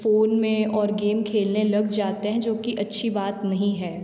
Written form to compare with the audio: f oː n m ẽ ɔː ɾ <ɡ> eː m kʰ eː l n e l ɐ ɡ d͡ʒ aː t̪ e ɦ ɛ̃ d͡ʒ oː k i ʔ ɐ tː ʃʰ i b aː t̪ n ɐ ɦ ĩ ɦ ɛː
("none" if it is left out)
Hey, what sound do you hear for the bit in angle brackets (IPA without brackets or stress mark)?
ɡ